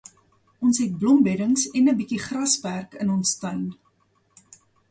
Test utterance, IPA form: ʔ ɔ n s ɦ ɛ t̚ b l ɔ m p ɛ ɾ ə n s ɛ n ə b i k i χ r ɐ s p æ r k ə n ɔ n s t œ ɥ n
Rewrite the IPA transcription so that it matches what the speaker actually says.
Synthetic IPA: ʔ ɔ n s ɦ ɛ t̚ b l ɔ m b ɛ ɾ ə ŋ s ɛ n ə b i k i χ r ɐ s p æ r k ə n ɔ n s t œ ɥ n